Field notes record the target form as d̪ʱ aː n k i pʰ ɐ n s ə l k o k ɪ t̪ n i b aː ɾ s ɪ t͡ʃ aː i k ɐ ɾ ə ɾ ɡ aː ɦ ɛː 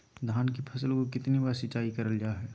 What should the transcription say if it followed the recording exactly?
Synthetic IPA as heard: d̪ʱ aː n k i pʰ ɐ s ə l k o k ɪ t̪ n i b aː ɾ s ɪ t͡ʃ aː i k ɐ ɾ ə l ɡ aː ɦ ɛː

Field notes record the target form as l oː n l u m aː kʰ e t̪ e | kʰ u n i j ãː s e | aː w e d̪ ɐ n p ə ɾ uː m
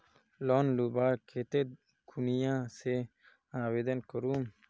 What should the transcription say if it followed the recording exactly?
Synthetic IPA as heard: l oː n l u b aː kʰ e t̪ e | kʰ u n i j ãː s e | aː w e d̪ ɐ n k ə ɾ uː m

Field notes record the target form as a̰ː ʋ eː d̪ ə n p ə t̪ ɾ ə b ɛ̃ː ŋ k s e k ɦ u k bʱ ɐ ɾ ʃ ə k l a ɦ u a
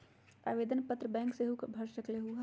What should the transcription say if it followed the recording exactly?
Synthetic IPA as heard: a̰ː ʋ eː d̪ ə n p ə t̪ ɾ ə b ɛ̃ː ŋ k s e ɦ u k bʱ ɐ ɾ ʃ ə k l e ɦ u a

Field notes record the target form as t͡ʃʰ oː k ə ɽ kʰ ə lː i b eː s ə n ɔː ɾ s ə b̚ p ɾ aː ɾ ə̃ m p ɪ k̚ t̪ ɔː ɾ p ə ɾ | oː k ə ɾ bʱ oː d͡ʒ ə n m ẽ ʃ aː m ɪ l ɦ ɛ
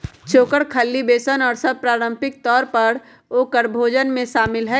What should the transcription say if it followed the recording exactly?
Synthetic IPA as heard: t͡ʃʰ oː k ə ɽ kʰ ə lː i b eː s ə n ɔː ɾ s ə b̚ p ɾ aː ɾ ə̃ m p ɪ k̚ t̪ ɔː ɾ p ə ɾ | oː k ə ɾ bʱ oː d͡ʒ ə n m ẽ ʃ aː m ɪ l ɦ ɛ

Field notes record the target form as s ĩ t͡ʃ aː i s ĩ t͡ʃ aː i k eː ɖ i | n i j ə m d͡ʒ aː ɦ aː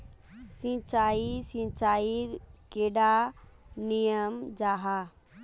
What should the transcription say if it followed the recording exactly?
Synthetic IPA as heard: s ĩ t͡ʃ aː i s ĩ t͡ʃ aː i k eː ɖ a | n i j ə m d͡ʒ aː ɦ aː

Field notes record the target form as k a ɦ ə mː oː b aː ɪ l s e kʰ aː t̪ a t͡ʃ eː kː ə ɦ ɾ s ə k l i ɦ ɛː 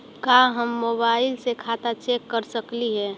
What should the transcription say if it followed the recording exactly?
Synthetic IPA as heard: k a ɦ ə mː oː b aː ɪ l s e kʰ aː t̪ a t͡ʃ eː kː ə ɾ s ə k l i ɦ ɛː

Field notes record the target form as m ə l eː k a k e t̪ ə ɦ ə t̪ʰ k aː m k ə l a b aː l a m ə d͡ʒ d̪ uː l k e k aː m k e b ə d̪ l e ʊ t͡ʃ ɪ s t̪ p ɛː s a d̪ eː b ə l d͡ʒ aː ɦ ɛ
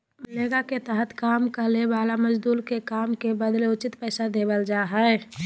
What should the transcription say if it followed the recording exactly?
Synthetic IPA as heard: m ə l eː ɡ a k e t̪ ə ɦ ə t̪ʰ k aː m k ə l e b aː l a m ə d͡ʒ d̪ uː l k e k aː m k e b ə d̪ l e ʊ t͡ʃ ɪ t̪ p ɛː s a d̪ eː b ə l d͡ʒ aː ɦ ɛ

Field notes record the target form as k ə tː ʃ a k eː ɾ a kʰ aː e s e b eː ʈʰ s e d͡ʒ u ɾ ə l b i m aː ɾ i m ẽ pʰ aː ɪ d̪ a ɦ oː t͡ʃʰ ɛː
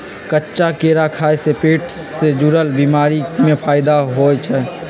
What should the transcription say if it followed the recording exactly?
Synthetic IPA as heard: k ə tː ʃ a k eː ɾ a kʰ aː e s e p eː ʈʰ s e d͡ʒ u ɾ ə l b i m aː ɾ i m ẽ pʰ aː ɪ d̪ a ɦ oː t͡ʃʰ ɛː

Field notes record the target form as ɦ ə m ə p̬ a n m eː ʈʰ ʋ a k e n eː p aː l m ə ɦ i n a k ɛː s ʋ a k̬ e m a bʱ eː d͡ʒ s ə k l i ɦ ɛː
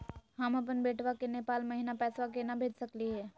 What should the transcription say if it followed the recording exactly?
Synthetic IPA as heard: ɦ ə m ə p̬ ə n b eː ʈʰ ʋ a k e n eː p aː l m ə ɦ i n a p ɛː s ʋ a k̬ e n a bʱ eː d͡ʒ s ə k l i ɦ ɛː

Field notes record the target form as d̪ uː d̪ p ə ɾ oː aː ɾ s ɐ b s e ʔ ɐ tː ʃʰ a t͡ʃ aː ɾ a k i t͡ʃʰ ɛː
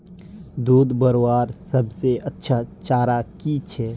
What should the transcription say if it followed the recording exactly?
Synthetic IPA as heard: d̪ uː d̪ b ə ɾ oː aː ɾ s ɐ b s e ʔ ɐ tː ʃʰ a t͡ʃ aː ɾ a k i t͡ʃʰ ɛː

